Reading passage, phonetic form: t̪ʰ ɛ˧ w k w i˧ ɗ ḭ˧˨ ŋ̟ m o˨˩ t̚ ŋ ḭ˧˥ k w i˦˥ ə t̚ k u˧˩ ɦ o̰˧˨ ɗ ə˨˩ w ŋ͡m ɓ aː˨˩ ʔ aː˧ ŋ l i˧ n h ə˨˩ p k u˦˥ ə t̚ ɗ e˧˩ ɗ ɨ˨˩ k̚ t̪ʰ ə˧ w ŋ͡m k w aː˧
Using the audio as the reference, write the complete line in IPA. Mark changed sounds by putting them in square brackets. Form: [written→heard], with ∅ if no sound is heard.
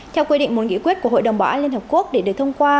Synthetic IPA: t̪ʰ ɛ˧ w k w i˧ ɗ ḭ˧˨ ŋ̟ m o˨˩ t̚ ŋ ḭ˧˥ k w i˦˥ ə t̚ k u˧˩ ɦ o̰˧˨ ɗ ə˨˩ w ŋ͡m ɓ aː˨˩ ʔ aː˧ [ŋ→n] l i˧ n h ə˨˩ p k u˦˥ ə [t̚→k̚] ɗ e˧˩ ɗ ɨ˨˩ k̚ t̪ʰ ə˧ w ŋ͡m k w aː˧